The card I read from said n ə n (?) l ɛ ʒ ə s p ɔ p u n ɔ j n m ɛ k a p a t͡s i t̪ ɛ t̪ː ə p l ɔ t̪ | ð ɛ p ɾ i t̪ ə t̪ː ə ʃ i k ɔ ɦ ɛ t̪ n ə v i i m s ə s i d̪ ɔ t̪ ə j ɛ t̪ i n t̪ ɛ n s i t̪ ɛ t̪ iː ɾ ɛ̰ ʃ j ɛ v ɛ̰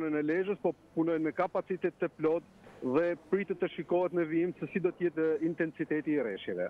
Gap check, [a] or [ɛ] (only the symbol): ɛ